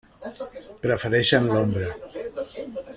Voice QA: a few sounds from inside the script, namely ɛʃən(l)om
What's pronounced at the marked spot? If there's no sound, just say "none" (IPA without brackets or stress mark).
l